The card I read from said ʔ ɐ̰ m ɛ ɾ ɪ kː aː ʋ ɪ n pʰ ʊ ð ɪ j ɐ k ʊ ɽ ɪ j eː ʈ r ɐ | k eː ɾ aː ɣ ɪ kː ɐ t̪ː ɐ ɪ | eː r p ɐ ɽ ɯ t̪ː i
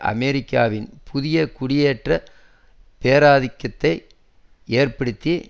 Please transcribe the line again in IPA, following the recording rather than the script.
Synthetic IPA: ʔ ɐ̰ m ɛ ɾ ɪ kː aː ʋ ɪ n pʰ ʊ ð ɪ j ɐ k ʊ ɽ ɪ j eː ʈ r ɐ | p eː ɾ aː ð ɪ kː ɐ t̪ː ɐ ɪ | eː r p ɐ ɽ ɯ t̪ː i